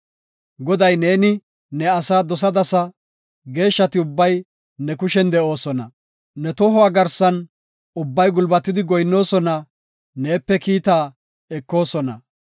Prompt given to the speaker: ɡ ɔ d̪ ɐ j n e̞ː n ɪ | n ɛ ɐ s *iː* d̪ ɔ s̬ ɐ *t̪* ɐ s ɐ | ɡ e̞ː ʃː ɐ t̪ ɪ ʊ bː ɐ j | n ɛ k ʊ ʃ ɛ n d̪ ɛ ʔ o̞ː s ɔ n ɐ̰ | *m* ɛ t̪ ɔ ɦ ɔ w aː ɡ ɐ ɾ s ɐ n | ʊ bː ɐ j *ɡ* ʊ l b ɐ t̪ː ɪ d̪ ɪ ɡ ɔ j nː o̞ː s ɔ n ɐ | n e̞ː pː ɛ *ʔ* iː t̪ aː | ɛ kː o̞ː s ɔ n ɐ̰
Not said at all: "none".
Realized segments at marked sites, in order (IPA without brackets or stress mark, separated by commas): aː, d̪, n, ɡ, k